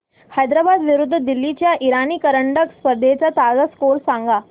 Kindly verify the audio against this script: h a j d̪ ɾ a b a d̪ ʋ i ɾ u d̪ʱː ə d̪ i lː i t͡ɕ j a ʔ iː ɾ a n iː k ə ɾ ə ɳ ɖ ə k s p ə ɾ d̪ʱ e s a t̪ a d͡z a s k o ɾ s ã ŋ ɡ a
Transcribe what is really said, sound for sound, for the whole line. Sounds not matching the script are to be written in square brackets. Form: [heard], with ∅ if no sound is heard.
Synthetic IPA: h a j d̪ ɾ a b a d̪ ʋ i ɾ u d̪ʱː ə d̪ i lː i t͡ɕ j a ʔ [i] ɾ a n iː k ə ɾ ə ɳ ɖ ə k s p ə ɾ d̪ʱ e [t͡s] a t̪ a d͡z a s k o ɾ s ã ŋ ɡ a